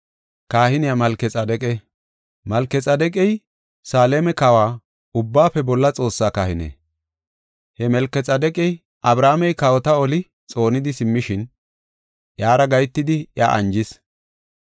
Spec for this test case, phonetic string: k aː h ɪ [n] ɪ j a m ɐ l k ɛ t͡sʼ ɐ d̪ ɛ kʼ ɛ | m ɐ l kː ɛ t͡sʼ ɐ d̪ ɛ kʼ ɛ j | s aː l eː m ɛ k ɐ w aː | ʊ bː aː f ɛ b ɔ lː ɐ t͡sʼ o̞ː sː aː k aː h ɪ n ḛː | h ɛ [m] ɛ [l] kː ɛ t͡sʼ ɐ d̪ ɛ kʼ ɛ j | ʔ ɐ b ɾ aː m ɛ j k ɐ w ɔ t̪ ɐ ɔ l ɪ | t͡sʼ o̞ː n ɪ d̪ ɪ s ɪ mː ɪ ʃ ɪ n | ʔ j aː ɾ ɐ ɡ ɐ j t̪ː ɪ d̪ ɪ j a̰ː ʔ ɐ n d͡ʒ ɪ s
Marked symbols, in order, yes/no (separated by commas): yes, yes, yes